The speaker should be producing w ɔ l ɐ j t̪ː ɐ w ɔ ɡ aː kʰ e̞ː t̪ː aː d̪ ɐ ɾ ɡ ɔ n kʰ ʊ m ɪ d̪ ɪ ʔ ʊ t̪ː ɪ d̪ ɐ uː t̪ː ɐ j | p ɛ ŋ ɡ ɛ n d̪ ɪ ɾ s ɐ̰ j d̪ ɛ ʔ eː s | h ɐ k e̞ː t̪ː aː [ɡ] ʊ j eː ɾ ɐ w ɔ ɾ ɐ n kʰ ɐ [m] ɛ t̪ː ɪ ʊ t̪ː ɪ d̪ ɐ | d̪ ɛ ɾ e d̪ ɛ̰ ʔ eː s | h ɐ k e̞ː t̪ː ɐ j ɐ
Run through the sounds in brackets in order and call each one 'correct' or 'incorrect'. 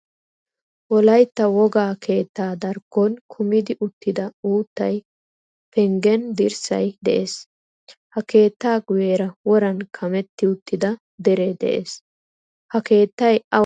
correct, correct

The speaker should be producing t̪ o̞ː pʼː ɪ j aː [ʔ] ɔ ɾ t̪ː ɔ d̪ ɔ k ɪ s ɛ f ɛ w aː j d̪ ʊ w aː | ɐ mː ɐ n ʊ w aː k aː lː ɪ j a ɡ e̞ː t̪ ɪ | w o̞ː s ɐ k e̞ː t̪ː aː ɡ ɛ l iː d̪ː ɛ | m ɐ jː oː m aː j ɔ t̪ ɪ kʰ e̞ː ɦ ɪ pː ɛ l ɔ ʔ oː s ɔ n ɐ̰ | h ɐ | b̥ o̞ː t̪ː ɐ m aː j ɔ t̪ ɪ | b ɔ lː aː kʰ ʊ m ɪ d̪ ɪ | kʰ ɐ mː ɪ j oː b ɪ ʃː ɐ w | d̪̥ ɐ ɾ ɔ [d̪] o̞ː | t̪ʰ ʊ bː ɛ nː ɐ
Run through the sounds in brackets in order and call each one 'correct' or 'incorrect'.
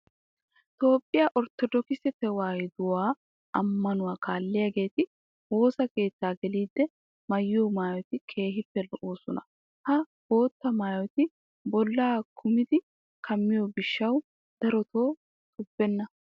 correct, incorrect

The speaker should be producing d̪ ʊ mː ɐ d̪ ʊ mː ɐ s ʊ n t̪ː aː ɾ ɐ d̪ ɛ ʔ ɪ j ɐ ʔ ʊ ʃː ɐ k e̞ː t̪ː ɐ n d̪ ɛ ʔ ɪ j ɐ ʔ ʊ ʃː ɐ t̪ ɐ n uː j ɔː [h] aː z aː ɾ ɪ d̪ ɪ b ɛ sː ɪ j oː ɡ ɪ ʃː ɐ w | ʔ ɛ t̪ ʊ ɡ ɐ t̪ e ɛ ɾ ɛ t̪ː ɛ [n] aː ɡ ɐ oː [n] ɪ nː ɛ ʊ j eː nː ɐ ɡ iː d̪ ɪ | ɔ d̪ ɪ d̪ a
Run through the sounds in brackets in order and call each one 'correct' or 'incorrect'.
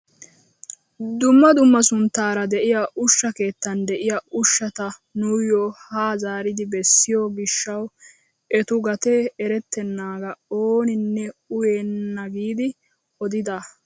correct, incorrect, correct

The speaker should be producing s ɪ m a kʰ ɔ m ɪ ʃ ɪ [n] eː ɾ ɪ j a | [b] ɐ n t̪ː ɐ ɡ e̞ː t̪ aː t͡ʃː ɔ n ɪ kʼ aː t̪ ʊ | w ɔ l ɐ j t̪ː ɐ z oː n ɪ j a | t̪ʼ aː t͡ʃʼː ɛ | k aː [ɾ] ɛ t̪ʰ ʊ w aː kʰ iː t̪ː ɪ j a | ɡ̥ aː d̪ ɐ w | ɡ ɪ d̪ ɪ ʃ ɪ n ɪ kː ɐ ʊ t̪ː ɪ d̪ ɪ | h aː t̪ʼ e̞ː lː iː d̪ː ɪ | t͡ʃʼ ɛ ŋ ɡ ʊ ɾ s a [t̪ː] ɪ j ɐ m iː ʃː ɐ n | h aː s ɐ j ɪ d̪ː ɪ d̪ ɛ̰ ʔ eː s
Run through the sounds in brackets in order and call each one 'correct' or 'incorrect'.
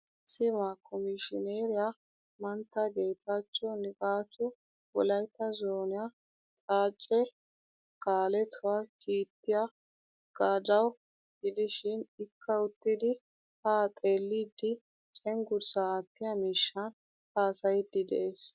correct, incorrect, incorrect, correct

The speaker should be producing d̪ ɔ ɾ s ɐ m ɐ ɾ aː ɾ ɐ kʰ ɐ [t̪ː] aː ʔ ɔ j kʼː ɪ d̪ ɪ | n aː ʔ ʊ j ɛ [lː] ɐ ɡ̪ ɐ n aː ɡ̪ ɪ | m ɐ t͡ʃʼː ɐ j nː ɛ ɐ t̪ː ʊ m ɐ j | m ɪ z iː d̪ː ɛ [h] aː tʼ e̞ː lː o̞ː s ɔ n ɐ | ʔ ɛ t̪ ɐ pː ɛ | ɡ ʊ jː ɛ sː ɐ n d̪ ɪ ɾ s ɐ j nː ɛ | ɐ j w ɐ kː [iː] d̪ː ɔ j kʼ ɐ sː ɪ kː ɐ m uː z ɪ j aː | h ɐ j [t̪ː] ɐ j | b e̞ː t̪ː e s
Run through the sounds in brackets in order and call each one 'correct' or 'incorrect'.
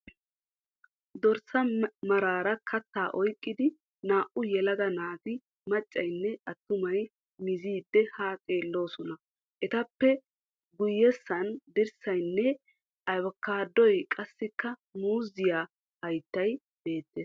correct, incorrect, correct, incorrect, correct

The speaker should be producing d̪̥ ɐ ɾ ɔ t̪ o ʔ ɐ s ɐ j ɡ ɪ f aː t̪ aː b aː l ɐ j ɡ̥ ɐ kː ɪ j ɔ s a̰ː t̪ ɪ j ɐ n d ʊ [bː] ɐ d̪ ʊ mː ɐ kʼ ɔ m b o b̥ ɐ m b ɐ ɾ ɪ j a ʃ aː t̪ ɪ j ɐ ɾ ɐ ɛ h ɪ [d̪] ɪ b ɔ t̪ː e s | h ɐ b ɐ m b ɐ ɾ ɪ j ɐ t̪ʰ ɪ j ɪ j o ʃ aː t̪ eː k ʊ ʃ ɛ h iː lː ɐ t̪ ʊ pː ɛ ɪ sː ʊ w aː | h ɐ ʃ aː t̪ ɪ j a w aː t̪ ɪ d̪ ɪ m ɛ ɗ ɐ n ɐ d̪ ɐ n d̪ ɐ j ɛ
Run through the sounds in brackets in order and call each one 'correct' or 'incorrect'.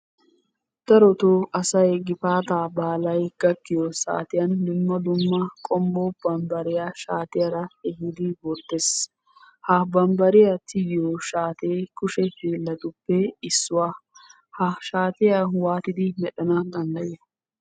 incorrect, correct

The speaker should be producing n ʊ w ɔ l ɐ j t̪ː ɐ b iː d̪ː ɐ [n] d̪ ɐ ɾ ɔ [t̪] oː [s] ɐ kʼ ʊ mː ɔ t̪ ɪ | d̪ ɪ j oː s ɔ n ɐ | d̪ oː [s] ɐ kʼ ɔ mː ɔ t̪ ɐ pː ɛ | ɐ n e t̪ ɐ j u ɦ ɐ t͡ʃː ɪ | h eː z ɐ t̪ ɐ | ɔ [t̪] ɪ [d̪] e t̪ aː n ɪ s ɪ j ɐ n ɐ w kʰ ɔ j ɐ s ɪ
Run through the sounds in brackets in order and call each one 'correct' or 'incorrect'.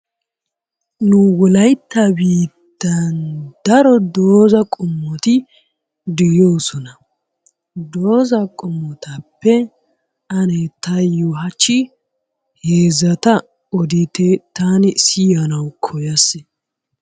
correct, incorrect, incorrect, incorrect, incorrect, incorrect

